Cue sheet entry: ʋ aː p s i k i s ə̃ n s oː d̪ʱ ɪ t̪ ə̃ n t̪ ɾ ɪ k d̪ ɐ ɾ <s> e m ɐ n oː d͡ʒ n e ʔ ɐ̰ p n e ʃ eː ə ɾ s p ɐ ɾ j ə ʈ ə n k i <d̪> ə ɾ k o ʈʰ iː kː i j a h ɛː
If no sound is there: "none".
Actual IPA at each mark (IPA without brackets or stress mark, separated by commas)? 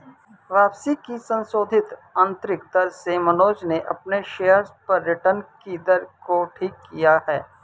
s, d̪